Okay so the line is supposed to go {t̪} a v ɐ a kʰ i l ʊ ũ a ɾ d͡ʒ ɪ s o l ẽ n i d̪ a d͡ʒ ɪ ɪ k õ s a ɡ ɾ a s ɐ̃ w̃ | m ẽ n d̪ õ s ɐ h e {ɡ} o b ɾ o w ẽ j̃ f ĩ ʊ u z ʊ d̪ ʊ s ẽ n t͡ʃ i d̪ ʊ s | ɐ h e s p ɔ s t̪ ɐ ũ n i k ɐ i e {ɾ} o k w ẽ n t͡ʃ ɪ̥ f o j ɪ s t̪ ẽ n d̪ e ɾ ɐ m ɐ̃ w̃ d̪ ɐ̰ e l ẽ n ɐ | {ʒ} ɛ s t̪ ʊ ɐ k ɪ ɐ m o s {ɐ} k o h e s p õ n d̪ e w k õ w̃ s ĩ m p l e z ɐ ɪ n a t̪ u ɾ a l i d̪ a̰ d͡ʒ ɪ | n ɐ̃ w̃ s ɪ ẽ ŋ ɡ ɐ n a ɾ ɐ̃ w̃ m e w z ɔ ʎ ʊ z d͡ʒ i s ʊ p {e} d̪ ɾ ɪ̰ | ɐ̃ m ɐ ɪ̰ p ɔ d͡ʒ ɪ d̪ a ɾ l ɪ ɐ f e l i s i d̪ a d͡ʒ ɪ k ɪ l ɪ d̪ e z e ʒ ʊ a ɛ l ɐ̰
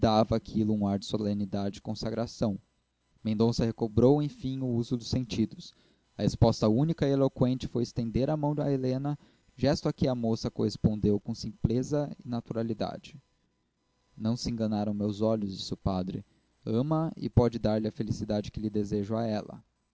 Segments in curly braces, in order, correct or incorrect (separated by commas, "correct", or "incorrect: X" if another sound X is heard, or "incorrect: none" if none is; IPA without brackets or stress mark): incorrect: d̪, incorrect: k, incorrect: l, correct, correct, incorrect: a